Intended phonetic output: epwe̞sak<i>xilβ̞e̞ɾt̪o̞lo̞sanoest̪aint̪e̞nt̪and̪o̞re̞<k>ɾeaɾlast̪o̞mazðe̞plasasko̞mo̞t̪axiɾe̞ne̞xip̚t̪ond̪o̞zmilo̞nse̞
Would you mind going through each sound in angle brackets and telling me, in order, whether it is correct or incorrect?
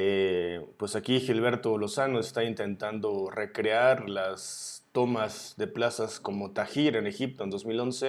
correct, correct

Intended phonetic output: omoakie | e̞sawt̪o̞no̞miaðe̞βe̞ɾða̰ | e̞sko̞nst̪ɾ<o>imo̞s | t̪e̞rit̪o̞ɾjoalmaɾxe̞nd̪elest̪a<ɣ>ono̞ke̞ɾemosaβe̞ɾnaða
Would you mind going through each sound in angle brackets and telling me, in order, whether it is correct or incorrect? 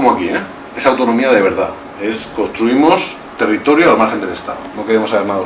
incorrect, incorrect

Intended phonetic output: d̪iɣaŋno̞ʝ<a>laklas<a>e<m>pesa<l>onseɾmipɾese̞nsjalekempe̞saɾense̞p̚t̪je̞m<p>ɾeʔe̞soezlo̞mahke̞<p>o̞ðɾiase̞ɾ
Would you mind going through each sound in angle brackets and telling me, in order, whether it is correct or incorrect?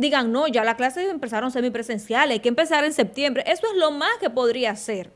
correct, incorrect, correct, incorrect, incorrect, correct

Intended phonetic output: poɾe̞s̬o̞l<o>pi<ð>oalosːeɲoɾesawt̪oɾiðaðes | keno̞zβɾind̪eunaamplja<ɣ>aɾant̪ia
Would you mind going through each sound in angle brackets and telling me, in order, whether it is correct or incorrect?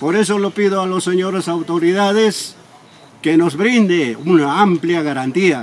correct, correct, correct

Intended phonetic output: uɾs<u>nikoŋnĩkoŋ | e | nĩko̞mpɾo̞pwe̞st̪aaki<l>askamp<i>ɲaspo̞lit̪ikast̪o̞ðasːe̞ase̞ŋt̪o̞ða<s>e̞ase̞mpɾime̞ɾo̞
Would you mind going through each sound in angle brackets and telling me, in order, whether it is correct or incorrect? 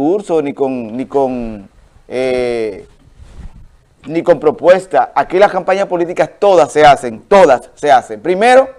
incorrect, correct, incorrect, incorrect

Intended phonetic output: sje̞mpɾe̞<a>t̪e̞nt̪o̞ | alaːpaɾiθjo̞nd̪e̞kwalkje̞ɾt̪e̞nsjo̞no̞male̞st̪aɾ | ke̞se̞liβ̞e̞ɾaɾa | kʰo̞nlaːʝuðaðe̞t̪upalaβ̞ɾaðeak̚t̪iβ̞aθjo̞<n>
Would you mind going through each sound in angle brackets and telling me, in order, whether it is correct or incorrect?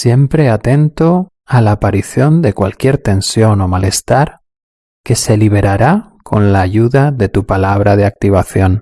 correct, correct

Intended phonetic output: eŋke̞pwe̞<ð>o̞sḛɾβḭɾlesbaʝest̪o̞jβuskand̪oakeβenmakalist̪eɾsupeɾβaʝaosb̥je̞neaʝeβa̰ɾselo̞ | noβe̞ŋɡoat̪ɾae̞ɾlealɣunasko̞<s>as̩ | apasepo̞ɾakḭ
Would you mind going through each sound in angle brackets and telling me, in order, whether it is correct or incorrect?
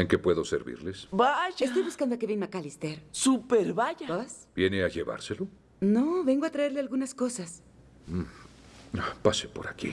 correct, correct

